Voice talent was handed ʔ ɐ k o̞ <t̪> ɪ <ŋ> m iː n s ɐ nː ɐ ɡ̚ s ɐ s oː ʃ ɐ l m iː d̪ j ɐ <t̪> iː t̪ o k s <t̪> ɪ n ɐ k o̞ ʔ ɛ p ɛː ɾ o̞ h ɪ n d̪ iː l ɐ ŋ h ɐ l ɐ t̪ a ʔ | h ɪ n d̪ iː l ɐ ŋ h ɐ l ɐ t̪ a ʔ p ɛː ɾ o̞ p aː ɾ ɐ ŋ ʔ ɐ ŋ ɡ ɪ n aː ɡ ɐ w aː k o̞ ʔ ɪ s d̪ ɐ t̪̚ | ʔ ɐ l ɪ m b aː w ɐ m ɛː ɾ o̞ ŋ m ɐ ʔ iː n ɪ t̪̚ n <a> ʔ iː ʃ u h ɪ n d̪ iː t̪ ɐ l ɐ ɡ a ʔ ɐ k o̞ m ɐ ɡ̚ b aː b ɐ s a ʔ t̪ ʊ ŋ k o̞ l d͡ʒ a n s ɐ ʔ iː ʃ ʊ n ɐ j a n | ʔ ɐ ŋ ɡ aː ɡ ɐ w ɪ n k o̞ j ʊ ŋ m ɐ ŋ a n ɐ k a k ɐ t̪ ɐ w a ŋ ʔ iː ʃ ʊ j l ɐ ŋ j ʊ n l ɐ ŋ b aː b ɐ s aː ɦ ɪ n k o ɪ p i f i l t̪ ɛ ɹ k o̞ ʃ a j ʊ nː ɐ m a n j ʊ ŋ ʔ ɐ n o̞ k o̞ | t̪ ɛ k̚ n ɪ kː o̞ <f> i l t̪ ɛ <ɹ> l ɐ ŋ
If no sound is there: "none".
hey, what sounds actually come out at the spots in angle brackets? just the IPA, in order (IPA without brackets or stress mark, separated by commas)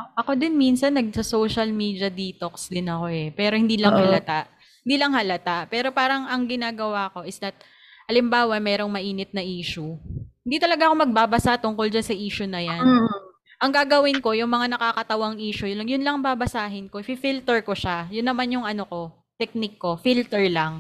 d̪, n, d̪, d̪, ɐ, f, ɹ